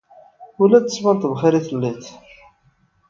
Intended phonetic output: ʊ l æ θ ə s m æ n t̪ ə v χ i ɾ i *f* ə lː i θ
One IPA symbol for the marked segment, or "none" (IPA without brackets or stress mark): θ